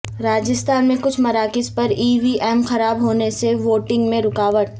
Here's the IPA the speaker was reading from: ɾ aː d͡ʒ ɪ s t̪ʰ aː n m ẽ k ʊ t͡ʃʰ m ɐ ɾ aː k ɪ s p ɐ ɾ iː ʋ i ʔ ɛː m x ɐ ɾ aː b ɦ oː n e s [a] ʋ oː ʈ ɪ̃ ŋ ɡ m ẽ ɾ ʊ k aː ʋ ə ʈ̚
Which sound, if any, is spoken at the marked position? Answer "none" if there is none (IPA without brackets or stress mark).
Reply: e